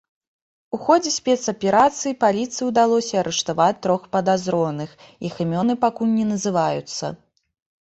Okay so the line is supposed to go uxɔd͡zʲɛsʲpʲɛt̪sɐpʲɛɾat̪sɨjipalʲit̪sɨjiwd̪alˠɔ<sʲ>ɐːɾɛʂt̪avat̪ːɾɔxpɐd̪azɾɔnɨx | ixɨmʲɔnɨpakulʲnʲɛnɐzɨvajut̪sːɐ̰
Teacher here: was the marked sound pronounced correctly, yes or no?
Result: yes